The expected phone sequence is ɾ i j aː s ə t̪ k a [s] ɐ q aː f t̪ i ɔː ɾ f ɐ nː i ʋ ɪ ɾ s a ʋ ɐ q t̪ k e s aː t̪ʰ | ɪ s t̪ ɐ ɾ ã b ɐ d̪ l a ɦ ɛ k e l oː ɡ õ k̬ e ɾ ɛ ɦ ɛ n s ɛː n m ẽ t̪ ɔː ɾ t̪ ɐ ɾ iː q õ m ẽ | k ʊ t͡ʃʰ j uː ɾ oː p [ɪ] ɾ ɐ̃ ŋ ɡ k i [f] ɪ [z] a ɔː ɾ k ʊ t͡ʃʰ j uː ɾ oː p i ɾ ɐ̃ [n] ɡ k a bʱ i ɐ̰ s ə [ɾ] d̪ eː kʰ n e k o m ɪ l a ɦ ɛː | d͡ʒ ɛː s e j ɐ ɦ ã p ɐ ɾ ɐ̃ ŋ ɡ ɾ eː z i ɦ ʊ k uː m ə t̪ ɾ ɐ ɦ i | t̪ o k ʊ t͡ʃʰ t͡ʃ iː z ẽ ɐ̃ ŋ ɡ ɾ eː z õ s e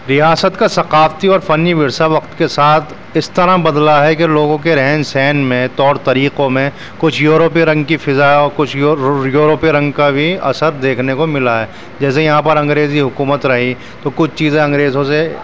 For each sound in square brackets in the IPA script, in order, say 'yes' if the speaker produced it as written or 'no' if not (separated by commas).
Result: yes, no, yes, yes, no, yes